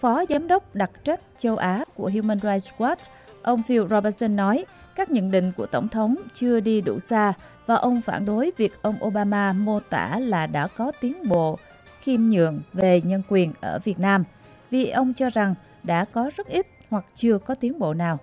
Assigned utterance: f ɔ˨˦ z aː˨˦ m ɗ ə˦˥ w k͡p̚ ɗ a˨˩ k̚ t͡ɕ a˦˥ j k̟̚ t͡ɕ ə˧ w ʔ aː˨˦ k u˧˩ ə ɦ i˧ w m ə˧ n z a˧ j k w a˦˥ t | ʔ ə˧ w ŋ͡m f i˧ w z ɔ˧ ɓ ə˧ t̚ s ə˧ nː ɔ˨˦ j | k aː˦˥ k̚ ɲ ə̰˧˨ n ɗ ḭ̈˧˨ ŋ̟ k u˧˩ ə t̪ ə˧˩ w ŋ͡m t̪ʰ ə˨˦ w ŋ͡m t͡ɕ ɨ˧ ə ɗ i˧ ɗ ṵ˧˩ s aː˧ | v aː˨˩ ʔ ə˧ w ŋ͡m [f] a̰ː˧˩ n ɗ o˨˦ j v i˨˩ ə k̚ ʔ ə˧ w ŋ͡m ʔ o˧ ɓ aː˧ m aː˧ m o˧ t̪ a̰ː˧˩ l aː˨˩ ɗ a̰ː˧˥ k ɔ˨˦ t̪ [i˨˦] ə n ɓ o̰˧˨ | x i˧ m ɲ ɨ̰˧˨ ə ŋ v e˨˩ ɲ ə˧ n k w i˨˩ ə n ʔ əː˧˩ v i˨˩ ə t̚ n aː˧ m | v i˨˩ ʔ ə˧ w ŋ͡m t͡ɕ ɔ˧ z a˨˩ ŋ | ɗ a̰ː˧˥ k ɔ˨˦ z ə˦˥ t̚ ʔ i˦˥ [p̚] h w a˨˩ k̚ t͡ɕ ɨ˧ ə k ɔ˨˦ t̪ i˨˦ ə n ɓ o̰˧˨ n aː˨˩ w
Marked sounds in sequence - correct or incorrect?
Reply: correct, correct, incorrect: t̚

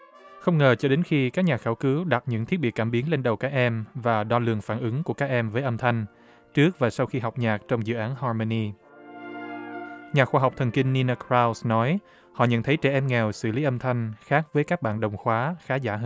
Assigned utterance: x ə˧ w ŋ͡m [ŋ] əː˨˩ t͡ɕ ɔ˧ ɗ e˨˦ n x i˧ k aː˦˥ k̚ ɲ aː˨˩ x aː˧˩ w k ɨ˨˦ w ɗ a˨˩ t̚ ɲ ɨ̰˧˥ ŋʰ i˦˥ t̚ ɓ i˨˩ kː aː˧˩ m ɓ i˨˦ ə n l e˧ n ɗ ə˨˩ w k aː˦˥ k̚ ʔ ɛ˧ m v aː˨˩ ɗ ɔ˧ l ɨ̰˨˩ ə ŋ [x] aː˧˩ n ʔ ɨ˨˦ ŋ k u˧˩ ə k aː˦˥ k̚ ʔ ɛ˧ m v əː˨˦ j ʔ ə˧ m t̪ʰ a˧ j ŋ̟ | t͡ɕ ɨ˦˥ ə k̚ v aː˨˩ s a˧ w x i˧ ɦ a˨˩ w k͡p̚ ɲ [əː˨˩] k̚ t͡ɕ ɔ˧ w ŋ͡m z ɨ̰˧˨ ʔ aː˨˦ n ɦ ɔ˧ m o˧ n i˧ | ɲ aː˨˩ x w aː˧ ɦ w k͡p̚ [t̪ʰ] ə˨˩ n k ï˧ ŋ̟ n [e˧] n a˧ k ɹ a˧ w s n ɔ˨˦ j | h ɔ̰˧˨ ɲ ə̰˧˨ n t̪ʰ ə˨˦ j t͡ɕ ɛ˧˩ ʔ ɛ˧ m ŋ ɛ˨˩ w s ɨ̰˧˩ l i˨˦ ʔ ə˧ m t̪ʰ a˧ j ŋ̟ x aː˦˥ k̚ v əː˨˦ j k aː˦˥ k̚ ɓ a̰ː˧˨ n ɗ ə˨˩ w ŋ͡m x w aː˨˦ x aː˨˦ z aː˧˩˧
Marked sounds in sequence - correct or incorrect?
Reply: correct, incorrect: f, incorrect: aː˨˩, correct, incorrect: i˧

